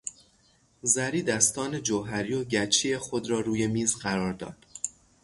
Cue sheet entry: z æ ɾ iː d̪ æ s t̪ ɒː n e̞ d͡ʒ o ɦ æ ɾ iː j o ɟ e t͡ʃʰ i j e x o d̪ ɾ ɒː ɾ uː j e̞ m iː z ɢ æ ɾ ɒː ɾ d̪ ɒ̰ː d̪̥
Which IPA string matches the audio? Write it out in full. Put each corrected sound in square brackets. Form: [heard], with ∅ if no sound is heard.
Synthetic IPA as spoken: z æ ɾ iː d̪ æ s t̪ ɒː n e̞ d͡ʒ o ɦ æ ɾ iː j o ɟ [æ] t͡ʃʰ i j e x o d̪ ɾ ɒː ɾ uː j e̞ m iː z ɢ æ ɾ ɒː ɾ d̪ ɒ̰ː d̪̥